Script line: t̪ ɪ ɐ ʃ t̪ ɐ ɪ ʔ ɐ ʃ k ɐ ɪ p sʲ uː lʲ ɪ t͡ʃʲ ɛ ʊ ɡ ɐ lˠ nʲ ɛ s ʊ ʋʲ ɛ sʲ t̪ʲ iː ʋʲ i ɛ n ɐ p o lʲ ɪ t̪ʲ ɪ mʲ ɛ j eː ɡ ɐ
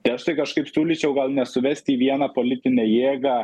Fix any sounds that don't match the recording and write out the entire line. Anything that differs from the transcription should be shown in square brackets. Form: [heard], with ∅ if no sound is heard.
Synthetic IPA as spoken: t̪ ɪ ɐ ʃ t̪ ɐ ɪ [k] ɐ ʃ k ɐ ɪ p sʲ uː lʲ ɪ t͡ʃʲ ɛ ʊ ɡ ɐ lˠ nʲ ɛ s ʊ ʋʲ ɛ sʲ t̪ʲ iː ʋʲ i ɛ n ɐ p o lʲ ɪ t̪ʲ ɪ [nʲ] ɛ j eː ɡ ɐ